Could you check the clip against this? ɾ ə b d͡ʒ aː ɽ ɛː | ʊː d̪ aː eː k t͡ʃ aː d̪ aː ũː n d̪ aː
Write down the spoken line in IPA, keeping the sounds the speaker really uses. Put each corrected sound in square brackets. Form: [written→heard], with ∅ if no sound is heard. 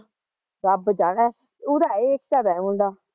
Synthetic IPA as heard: ɾ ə b d͡ʒ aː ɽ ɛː | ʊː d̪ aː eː k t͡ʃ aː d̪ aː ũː n d̪ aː